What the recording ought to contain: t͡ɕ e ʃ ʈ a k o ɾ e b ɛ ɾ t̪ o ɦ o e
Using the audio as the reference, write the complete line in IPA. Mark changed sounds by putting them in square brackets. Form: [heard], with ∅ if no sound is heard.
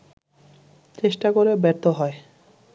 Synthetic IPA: t͡ɕ e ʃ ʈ a k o ɾ e b ɛ ɾ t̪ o ɦ [ɔ] e